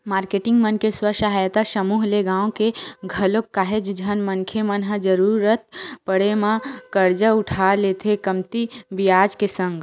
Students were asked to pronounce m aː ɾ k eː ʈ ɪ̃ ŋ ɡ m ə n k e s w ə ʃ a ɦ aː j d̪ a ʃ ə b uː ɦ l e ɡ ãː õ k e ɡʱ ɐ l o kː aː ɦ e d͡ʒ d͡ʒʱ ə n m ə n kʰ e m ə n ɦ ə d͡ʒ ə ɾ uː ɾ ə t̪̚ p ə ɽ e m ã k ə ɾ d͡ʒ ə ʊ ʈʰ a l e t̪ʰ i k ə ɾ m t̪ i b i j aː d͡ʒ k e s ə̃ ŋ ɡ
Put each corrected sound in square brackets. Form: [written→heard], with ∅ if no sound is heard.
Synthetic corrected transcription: m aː ɾ k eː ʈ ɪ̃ ŋ ɡ m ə n k e s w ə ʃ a ɦ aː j [d̪→t̪] a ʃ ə [b→m] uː ɦ l e ɡ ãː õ k e ɡʱ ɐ l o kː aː ɦ e d͡ʒ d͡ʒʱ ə n m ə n kʰ e m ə n ɦ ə d͡ʒ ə ɾ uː ɾ ə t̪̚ p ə ɽ e m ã k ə ɾ d͡ʒ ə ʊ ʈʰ a l e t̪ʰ [i→e] k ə [ɾ→∅] m t̪ i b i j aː d͡ʒ k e s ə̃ ŋ ɡ